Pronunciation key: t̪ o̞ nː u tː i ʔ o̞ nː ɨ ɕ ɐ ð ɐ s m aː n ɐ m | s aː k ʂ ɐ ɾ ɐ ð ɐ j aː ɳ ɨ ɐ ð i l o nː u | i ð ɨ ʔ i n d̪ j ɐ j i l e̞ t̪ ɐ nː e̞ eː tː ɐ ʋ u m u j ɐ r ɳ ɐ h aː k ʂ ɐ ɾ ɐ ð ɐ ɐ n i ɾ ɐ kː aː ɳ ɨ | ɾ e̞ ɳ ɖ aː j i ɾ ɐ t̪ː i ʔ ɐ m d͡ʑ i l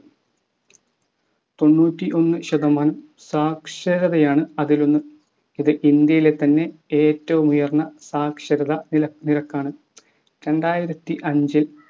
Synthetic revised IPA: t̪ o̞ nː uː tː i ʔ o̞ nː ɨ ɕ ɐ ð ɐ m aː n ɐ m | s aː k ʂ ɐ ɾ ɐ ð ɐ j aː ɳ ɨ ɐ ð i l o nː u | i ð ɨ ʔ i n d̪ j ɐ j i l e̞ t̪ ɐ nː e̞ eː tː ɐ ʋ u m u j ɐ r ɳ ɐ s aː k ʂ ɐ ɾ ɐ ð ɐ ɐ n i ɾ ɐ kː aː ɳ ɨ | ɾ e̞ ɳ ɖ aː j i ɾ ɐ t̪ː i ʔ ɐ ɲ d͡ʑ i l